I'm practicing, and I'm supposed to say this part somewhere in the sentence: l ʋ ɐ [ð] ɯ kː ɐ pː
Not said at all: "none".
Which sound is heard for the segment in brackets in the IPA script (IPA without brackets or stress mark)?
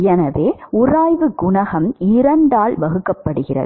ɣ